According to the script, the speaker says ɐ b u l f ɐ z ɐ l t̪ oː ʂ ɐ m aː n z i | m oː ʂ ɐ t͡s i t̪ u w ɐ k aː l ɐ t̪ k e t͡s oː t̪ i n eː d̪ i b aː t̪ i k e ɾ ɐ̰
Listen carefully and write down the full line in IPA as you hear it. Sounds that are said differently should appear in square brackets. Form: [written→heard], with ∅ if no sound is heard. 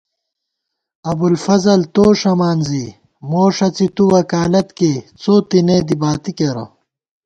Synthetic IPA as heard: ɐ b u l f ɐ z ɐ l t̪ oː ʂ ɐ m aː n z i | m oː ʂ ɐ t͡s i t̪ u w ɐ k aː l ɐ t̪ k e t͡s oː t̪ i n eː d̪ i b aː t̪ i k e ɾ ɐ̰